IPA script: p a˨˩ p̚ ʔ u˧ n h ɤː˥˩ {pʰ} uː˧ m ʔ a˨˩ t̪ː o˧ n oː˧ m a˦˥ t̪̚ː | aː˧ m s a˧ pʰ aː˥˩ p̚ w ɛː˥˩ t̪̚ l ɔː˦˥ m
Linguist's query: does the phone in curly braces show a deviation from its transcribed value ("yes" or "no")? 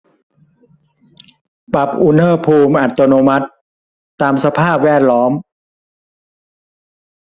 no